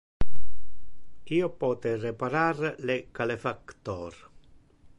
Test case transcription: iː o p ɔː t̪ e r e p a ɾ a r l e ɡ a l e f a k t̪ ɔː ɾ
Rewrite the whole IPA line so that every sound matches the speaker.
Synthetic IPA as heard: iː o p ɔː t̪ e r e p a ɾ a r l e k a l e f a k t̪ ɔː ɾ